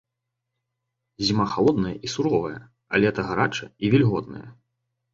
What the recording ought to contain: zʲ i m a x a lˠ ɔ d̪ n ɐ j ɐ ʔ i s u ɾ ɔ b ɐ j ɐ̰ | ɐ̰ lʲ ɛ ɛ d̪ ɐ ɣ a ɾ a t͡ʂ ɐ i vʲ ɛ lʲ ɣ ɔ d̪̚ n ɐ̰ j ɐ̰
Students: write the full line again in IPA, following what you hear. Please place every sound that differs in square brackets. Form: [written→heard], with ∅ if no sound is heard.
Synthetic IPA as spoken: zʲ i m a x a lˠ ɔ d̪ n ɐ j ɐ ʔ i s u ɾ ɔ [b→v] ɐ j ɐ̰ | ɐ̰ lʲ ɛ ɛ [d̪→t̪] ɐ ɣ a ɾ a t͡ʂ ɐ i vʲ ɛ lʲ ɣ ɔ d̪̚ n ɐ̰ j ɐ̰